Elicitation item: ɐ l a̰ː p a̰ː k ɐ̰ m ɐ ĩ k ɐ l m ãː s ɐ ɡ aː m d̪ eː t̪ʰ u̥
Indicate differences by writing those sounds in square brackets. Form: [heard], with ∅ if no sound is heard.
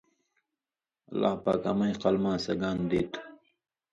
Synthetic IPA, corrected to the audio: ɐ l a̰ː p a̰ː k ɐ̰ m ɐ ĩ [q] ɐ l m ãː s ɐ ɡ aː [n] d̪ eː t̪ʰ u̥